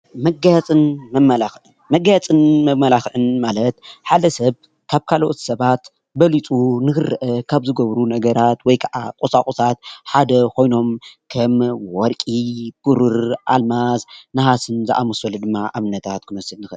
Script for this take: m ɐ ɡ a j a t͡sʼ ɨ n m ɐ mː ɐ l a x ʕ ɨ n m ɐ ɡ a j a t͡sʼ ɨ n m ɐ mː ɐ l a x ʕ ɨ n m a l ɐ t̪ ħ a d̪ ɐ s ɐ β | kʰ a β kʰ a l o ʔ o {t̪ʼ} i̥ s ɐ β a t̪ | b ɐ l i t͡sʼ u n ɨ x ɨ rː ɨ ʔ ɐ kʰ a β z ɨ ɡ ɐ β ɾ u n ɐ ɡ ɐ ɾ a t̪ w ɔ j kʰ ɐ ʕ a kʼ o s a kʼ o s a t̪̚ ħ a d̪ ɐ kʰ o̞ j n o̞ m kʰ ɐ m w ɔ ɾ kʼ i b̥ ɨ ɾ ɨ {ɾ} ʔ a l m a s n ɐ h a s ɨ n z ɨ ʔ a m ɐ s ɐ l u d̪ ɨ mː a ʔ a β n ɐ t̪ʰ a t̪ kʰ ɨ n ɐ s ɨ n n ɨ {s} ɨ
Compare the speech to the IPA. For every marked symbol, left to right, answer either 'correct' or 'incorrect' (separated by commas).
incorrect, correct, incorrect